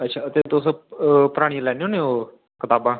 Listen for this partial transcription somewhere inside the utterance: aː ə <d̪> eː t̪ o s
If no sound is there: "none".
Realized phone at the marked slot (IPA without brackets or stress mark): t̪